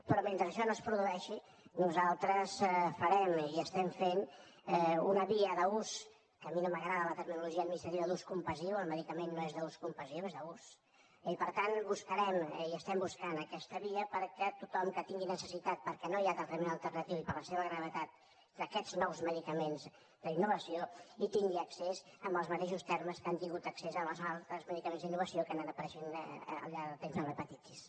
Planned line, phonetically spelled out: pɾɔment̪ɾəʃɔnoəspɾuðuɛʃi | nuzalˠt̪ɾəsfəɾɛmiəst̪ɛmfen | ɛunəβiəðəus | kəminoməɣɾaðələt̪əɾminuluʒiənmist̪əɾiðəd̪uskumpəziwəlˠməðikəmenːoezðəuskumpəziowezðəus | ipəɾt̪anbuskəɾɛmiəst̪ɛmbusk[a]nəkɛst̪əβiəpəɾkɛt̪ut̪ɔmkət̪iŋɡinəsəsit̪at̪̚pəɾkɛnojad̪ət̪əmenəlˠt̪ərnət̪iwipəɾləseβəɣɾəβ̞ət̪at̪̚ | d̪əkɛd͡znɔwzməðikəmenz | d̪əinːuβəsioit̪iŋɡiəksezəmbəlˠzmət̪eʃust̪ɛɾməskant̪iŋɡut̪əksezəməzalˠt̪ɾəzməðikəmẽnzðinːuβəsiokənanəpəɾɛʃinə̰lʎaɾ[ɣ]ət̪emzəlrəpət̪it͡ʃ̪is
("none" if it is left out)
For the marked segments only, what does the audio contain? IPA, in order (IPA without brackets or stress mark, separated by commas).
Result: a, ð